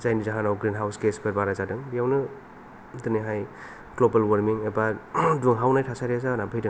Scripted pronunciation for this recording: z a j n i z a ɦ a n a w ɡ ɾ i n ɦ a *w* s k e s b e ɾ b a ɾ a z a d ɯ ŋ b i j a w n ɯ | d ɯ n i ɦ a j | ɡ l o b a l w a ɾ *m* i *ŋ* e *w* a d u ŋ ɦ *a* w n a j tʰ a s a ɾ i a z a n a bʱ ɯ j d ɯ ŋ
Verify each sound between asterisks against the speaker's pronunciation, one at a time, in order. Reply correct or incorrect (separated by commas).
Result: correct, correct, correct, incorrect, correct